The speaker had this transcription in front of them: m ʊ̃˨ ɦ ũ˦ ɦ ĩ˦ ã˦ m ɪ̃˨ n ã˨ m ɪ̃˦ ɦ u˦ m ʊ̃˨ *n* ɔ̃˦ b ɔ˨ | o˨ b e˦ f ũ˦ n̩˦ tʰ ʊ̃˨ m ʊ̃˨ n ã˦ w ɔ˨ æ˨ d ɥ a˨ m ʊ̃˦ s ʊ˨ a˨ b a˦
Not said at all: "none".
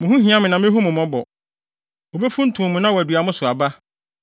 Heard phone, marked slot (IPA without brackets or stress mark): m